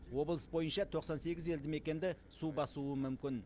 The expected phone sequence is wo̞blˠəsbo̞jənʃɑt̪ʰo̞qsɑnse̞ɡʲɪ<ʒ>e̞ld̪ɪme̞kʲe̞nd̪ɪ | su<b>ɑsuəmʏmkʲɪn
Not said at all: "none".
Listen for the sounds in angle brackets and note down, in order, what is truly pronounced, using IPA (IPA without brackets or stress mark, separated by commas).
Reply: z, b